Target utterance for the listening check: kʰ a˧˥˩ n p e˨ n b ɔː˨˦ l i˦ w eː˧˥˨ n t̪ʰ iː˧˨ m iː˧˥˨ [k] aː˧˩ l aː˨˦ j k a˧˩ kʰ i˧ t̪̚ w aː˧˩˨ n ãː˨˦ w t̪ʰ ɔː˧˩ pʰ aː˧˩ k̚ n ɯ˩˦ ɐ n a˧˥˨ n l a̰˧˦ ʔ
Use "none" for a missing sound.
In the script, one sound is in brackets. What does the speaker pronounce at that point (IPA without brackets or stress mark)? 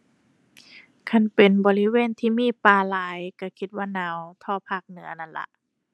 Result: p